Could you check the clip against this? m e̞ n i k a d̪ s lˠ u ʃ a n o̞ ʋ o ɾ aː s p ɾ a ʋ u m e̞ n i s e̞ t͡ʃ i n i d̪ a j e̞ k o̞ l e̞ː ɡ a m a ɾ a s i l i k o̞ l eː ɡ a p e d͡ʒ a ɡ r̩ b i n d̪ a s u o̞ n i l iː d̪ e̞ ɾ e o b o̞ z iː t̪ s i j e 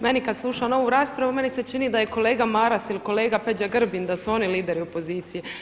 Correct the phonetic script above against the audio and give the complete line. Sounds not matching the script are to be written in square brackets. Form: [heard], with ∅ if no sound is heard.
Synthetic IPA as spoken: m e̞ n i k a d̪ s lˠ u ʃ a n o̞ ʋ [u] ɾ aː s p ɾ a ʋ u m e̞ n i s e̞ t͡ʃ i n i d̪ a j e̞ k o̞ l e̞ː ɡ a m a ɾ a s i l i k o̞ l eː ɡ a p e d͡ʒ a ɡ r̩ b i n d̪ a s u o̞ n i l iː d̪ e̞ ɾ [i] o [p] o̞ z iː t̪ s i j e